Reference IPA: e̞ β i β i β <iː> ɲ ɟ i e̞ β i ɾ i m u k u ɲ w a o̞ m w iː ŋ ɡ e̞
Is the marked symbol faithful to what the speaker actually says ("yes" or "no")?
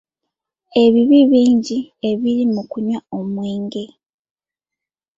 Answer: yes